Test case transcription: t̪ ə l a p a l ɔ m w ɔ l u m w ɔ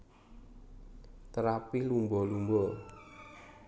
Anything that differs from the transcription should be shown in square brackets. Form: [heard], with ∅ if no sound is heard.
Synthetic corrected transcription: t̪ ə [ɾ] a p [i] l [u] m [b] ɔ l u m [b] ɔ